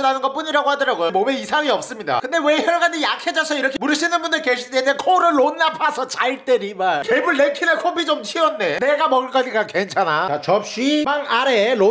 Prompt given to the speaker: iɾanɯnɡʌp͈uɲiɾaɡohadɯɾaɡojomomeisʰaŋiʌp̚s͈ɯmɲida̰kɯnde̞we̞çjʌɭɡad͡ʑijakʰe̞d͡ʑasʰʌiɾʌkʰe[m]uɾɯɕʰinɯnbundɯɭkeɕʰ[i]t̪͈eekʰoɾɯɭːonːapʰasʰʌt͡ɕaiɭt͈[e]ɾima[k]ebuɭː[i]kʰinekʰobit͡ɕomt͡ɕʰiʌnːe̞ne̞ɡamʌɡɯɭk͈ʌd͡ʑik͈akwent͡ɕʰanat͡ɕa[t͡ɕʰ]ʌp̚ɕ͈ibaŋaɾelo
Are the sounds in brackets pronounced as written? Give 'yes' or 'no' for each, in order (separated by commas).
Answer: yes, yes, yes, yes, no, no